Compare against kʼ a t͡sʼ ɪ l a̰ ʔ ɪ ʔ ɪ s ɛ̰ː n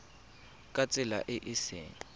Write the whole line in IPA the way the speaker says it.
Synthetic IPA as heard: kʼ a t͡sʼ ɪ l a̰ ʔ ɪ ʔ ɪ s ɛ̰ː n